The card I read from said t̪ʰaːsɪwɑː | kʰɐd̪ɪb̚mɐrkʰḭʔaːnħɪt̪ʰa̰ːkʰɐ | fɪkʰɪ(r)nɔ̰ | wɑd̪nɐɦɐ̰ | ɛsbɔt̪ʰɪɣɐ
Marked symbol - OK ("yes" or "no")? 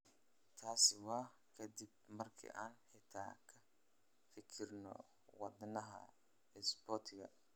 yes